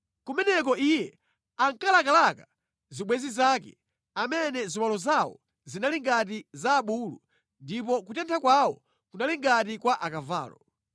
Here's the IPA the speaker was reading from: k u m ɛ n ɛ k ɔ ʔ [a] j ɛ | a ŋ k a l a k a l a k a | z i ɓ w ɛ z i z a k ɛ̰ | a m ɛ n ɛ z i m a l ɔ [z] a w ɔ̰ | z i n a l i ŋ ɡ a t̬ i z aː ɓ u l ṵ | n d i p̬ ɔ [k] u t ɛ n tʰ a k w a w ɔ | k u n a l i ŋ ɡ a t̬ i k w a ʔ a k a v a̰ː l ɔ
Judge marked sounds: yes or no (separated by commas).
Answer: no, yes, yes